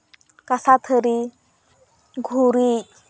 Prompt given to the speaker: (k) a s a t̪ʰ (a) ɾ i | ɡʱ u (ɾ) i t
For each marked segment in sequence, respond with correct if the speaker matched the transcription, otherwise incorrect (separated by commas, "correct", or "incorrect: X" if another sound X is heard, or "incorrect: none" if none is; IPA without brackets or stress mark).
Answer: correct, incorrect: ə, correct